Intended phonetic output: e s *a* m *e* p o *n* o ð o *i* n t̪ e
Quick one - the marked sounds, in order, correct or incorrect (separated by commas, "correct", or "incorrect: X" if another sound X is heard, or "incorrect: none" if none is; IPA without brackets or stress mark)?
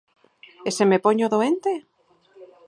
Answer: incorrect: e, correct, incorrect: ɲ, incorrect: e